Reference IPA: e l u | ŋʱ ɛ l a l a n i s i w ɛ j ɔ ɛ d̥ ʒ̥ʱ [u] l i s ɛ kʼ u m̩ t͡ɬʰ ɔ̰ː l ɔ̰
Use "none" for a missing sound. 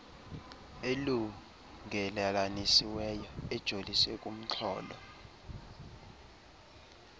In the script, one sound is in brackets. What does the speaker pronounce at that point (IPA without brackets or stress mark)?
o